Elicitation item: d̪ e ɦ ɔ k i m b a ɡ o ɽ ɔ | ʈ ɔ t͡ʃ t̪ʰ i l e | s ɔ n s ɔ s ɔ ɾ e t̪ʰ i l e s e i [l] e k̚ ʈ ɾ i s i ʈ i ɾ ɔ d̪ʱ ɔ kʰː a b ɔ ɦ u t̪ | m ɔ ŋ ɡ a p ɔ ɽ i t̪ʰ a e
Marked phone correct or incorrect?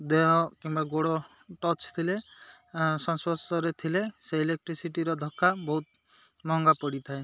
correct